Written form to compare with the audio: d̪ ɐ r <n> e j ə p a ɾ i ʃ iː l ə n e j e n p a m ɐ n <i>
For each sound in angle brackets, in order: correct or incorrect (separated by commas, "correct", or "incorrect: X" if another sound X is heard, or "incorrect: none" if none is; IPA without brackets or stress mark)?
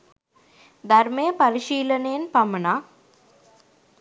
incorrect: m, incorrect: a